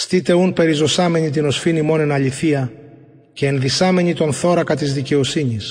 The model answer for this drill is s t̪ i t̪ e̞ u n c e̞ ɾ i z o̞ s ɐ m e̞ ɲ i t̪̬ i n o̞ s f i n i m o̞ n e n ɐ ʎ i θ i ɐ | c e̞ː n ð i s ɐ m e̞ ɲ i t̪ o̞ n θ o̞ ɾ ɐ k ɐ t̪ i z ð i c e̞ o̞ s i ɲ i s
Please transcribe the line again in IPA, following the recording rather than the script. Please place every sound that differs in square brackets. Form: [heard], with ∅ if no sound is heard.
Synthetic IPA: s t̪ i t̪ e̞ u n [p] e̞ ɾ i z o̞ s ɐ m e̞ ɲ i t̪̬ i n o̞ s f i n i m o̞ n e n ɐ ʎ i θ i ɐ | c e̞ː n ð i s ɐ m e̞ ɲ i t̪ o̞ n θ o̞ ɾ ɐ k ɐ t̪ i z ð i c e̞ o̞ s i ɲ i s